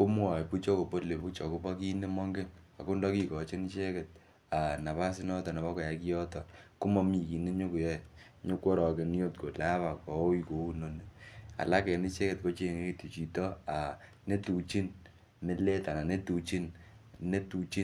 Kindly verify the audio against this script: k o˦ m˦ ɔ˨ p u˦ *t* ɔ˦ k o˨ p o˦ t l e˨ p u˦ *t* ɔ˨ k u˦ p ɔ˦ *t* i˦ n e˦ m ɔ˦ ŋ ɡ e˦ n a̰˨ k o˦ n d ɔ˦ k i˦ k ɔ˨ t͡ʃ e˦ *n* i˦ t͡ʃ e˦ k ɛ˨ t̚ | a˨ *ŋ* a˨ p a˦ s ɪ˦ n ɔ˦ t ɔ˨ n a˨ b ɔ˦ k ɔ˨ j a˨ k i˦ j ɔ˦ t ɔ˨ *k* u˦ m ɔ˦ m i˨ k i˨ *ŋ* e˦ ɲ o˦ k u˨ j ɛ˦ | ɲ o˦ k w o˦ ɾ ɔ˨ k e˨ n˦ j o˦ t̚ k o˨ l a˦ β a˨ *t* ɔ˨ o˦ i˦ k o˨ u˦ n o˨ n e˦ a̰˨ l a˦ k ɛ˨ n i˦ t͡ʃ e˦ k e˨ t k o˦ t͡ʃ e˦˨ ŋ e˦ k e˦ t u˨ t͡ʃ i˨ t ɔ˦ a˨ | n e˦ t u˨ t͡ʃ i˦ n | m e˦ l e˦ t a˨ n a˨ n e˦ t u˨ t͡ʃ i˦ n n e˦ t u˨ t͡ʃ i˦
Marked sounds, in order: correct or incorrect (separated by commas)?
incorrect, incorrect, incorrect, correct, incorrect, correct, incorrect, incorrect